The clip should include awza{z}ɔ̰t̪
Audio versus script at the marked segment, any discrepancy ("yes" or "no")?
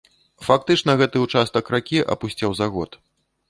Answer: yes